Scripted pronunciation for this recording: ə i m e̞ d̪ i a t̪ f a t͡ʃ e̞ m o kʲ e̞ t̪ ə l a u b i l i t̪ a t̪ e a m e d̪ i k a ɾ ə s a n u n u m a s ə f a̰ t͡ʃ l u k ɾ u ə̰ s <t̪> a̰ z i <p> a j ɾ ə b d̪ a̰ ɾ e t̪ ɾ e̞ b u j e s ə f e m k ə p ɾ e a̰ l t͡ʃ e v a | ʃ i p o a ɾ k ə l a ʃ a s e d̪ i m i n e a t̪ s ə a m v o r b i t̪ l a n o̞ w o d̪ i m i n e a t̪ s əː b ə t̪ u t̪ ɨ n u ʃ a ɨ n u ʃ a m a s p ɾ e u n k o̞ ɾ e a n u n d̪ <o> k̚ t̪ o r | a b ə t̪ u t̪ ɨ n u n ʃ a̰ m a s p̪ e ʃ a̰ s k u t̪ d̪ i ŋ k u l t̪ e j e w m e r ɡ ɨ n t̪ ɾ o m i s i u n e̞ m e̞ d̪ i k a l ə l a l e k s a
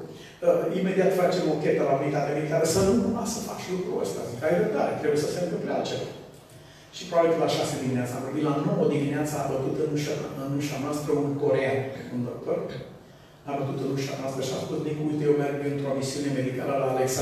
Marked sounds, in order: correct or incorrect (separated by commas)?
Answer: correct, incorrect, correct